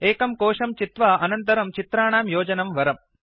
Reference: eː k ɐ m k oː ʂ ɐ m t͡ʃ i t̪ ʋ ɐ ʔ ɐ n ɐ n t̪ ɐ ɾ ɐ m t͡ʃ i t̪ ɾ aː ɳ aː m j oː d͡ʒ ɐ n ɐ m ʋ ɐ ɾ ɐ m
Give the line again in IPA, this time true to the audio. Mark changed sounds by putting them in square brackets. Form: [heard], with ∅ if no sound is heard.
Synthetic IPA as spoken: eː k ɐ m k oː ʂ ɐ m t͡ʃ i t̪ ʋ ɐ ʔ ɐ n ɐ n t̪ ɐ ɾ ɐ m t͡ʃ i t̪ ɾ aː ɳ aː m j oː d͡ʒ ɐ n ɐ m ʋ ɐ ɾ ɐ m